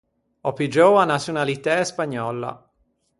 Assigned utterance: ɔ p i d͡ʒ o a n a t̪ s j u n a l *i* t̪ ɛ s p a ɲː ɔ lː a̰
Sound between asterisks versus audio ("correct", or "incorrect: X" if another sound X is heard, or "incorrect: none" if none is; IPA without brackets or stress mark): correct